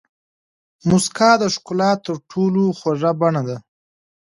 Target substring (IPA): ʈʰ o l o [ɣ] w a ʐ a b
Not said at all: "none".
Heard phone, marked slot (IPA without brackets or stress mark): x